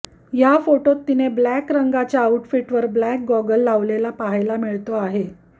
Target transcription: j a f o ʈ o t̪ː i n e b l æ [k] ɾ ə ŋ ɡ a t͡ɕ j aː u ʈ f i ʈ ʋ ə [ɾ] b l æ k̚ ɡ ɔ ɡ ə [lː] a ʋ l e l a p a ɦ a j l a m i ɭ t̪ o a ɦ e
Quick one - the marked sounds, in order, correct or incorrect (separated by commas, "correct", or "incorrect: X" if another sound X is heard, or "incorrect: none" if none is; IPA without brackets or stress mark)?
correct, correct, correct